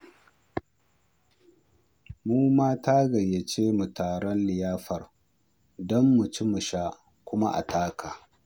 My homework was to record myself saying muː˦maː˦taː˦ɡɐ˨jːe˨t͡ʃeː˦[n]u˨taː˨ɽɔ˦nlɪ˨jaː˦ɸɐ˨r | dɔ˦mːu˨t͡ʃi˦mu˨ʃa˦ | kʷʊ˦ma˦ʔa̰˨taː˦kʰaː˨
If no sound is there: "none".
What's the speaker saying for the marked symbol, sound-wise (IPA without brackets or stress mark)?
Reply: m